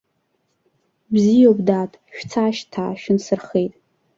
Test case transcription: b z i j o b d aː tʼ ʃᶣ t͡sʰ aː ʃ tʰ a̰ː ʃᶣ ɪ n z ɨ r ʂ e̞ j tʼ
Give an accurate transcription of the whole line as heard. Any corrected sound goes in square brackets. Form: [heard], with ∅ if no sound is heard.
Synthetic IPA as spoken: b z i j o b d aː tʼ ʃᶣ t͡sʰ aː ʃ tʰ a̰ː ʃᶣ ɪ n [s] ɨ r [χ] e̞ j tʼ